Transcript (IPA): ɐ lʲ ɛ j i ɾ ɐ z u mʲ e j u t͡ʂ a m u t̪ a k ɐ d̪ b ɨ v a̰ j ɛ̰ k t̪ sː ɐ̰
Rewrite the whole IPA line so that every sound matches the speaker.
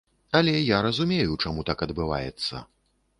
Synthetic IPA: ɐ lʲ ɛ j a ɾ ɐ z u mʲ e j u t͡ʂ a m u t̪ a k ɐ d̪ b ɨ v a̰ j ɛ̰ t̪ sː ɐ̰